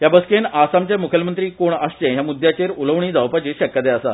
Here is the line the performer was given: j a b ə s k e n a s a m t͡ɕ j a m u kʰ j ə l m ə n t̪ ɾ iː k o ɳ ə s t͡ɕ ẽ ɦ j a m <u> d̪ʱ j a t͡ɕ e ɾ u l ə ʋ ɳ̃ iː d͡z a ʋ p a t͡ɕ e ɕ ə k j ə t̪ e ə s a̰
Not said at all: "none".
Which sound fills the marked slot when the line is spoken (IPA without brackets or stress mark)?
u